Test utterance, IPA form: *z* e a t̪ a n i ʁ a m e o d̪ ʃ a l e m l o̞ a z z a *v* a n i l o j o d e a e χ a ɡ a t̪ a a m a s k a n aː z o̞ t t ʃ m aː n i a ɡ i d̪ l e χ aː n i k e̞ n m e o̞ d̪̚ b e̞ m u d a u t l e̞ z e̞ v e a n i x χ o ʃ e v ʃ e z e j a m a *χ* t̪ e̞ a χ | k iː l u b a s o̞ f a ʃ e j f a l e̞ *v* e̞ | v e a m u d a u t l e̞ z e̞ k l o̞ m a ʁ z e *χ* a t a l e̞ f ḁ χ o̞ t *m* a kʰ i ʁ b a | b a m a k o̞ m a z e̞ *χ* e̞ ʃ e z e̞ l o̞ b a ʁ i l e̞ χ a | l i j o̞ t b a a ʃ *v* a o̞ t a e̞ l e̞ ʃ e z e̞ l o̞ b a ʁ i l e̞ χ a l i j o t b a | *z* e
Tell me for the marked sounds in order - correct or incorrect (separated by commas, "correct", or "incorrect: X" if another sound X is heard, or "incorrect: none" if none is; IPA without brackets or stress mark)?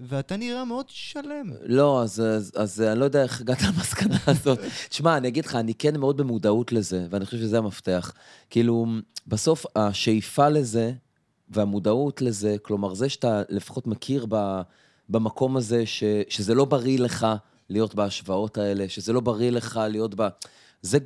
incorrect: v, incorrect: z, incorrect: f, incorrect: z, incorrect: ʃ, correct, incorrect: ʃ, correct, correct